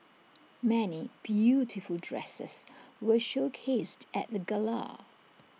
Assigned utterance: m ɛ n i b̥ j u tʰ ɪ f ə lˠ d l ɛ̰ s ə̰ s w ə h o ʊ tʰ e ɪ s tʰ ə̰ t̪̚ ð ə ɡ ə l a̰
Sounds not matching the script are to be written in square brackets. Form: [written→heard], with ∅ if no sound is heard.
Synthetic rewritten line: m ɛ n i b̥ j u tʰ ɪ f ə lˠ d [l→ɹ] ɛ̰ s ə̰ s w ə [h→ʃ] o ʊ [tʰ→kʰ] e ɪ s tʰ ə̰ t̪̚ ð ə ɡ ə l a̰

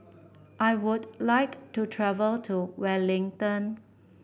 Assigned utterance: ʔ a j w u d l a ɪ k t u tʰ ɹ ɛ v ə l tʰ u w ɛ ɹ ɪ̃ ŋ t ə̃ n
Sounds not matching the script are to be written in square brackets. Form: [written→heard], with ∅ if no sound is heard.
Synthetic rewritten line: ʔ a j w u d l a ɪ k t u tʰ ɹ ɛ v ə l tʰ u w ɛ [ɹ→l] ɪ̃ ŋ t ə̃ n

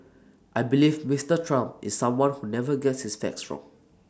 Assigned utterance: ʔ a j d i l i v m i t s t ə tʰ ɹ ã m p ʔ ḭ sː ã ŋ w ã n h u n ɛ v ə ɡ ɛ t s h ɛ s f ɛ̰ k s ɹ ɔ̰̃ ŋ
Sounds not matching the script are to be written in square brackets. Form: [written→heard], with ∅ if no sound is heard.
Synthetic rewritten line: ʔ a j [d→b] i l i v m i [t→∅] s t ə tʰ ɹ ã m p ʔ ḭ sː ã [ŋ→m] w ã n h u n ɛ v ə ɡ ɛ t s h [ɛ→i] s f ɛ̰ k s ɹ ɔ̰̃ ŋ

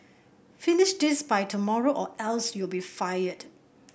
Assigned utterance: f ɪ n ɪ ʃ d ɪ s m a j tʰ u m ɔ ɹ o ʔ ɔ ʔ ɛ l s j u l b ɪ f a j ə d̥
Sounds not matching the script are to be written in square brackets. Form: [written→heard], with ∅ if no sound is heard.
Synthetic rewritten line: f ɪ n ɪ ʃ d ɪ s [m→b] a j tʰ u m ɔ ɹ o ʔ ɔ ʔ ɛ l s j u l b [ɪ→i] f a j ə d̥

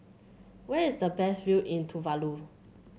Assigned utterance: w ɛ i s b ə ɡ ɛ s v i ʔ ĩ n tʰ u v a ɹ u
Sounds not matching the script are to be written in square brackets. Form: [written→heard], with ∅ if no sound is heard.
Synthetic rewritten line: w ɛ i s [b→d] ə [ɡ→b] ɛ s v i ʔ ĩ n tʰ u v a [ɹ→l] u

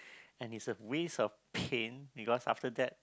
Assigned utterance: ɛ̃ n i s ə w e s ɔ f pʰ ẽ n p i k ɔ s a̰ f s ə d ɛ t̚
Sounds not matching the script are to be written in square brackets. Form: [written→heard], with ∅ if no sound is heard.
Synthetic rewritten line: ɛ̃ n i s ə w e s ɔ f pʰ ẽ n [p→b] i k ɔ s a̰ f [s→t] ə d ɛ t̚

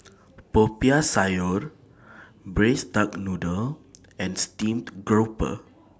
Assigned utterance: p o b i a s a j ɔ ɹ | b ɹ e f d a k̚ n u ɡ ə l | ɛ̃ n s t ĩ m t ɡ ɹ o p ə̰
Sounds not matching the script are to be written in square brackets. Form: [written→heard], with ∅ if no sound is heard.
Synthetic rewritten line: p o [b→p] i a s a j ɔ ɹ | b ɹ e [f→s] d a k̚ n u [ɡ→d] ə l | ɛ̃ n s t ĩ m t ɡ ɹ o p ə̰

